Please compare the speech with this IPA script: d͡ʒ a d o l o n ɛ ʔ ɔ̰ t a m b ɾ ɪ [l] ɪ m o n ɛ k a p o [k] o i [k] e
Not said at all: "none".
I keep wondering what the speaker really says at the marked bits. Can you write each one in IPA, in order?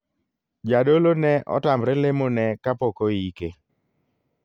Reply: l, k, k

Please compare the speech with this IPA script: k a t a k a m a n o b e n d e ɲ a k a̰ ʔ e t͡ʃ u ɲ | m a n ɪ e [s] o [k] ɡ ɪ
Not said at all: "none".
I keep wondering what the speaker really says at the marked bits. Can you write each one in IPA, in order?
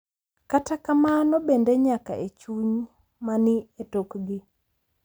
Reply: t, k

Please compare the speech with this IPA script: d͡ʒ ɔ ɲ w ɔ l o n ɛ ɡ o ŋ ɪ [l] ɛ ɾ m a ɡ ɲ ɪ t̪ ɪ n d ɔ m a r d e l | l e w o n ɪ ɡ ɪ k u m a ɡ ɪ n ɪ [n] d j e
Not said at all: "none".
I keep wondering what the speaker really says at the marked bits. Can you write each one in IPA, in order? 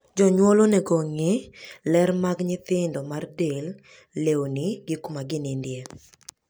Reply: l, n

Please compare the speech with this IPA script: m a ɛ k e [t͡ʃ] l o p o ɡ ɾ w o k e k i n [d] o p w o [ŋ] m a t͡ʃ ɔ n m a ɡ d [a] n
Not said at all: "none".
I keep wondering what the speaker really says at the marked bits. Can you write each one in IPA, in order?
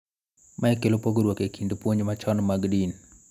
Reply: none, d, ɲ, i

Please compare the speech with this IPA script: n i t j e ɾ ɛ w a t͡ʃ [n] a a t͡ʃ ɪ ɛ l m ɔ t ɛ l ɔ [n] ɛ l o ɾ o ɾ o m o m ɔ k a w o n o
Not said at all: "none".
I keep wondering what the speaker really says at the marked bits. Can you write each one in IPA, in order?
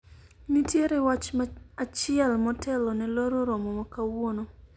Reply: m, n

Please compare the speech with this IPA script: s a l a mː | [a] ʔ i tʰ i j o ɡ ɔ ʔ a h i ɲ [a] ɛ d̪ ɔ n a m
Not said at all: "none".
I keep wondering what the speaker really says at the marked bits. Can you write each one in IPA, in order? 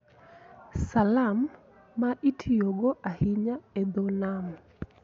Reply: a, a

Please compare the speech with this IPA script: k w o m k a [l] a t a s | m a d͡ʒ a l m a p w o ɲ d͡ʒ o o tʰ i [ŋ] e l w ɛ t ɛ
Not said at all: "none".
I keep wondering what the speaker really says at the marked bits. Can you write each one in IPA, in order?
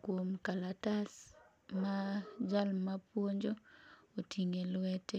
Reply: l, ŋ

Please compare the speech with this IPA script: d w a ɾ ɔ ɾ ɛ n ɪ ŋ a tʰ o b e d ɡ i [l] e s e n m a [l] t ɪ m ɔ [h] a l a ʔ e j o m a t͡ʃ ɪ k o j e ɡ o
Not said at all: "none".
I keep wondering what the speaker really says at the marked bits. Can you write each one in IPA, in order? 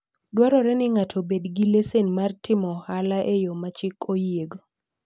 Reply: l, r, h

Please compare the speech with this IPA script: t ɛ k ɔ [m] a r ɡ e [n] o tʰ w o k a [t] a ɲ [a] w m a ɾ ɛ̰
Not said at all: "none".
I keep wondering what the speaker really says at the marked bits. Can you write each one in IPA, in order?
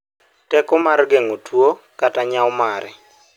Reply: m, ŋ, t, a

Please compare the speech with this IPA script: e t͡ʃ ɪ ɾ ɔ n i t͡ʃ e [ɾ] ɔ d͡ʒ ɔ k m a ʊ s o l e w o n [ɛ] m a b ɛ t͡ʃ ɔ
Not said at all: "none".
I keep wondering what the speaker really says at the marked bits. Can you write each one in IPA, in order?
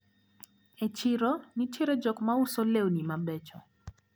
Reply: ɾ, i

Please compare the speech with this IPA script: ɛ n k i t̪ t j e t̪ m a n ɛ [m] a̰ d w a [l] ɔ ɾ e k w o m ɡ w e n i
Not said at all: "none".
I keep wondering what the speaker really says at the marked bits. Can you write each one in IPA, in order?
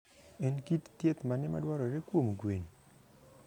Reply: m, ɾ

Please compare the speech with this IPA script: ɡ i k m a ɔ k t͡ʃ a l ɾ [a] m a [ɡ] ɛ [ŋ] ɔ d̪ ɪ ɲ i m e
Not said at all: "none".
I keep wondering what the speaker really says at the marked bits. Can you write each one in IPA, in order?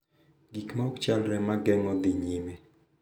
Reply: ɛ, ɡ, ŋ

